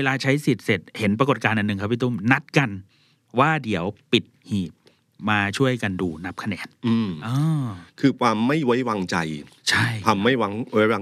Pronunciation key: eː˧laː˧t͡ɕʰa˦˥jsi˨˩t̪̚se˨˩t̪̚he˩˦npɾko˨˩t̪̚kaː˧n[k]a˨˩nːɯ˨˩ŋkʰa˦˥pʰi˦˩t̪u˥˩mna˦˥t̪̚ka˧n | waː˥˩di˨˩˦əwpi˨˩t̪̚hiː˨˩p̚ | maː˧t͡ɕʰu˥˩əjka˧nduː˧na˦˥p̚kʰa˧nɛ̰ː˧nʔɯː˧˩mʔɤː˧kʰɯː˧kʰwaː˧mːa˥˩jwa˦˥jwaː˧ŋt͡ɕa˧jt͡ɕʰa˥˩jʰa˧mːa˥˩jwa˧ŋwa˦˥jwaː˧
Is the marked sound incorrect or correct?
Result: incorrect